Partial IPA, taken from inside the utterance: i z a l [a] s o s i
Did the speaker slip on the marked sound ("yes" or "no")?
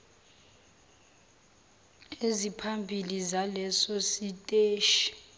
yes